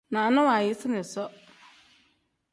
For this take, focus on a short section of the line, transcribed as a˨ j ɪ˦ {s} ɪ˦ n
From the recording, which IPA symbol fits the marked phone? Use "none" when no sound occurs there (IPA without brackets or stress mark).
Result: s